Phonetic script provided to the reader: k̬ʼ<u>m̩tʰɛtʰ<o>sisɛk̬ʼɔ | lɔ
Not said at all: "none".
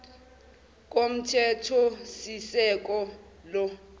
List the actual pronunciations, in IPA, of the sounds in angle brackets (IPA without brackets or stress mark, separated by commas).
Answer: o, ɔ